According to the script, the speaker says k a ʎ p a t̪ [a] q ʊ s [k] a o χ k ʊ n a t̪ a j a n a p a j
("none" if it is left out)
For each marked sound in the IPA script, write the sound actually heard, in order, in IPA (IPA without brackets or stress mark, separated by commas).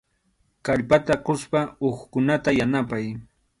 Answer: a, p